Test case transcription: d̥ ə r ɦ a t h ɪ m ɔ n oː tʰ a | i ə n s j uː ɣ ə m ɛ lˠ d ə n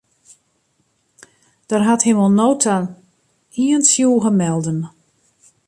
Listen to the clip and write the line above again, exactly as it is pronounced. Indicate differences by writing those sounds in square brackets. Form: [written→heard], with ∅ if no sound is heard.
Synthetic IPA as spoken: d̥ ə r ɦ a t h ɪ m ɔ n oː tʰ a | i ə n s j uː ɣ ə m ɛ lˠ d ə n